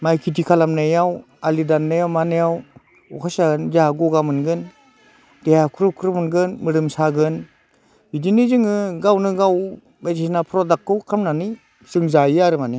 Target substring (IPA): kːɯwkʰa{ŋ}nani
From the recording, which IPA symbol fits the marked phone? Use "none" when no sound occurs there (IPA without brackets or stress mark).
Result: m